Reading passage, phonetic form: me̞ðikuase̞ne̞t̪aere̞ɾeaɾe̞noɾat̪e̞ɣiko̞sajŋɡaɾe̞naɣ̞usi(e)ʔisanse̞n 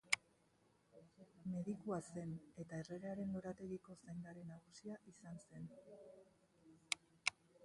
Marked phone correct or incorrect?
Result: incorrect